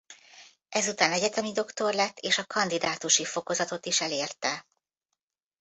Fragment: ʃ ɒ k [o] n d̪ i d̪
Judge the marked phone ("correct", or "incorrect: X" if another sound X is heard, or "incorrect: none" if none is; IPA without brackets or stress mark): incorrect: ɒ